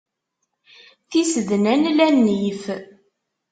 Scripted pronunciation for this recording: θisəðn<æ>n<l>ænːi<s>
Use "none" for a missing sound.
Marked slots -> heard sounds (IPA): æ, l, f

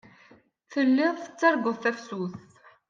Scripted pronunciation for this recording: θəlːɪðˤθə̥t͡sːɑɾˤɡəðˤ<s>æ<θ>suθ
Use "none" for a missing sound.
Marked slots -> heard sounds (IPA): θ, f

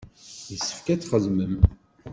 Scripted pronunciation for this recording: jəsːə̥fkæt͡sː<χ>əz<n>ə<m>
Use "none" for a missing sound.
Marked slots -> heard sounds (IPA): χ, m, m

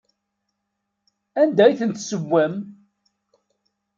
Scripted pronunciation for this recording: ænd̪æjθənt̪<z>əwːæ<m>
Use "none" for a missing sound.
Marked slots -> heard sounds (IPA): s, m

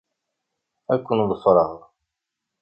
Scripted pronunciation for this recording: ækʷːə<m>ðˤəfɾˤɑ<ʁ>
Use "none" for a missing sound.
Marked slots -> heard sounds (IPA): n, ʁ

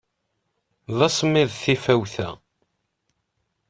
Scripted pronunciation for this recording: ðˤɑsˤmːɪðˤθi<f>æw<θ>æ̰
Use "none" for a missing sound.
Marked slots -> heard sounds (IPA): f, θ

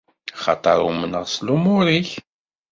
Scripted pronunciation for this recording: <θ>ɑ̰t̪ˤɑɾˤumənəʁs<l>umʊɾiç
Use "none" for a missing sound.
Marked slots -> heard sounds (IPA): χ, l

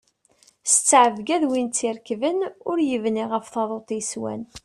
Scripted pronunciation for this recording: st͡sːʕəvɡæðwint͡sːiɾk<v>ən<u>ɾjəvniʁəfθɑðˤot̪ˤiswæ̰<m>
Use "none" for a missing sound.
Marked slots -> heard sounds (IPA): v, ʊ, n

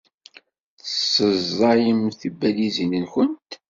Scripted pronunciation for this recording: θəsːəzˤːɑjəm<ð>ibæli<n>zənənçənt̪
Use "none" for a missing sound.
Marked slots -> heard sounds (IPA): θ, none

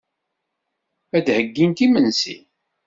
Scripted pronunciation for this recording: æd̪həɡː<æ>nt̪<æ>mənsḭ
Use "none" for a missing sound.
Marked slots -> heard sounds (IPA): i, i

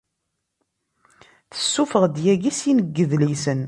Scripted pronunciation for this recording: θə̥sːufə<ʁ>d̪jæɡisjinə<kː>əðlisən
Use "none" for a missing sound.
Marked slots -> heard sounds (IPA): ʁ, ɡː

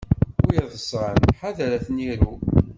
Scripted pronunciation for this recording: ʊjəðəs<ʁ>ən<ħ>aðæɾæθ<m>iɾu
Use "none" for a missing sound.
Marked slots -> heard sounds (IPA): ʁ, ħ, n

